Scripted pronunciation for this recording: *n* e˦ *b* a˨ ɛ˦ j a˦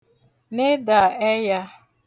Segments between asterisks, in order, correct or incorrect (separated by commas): correct, incorrect